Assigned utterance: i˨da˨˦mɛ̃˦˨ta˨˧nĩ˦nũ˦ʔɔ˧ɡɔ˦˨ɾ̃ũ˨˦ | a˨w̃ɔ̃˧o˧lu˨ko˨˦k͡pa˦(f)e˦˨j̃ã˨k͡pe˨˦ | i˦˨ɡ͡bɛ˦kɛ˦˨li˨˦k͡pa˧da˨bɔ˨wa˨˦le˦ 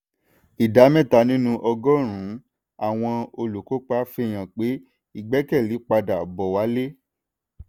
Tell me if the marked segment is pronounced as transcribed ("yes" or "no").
yes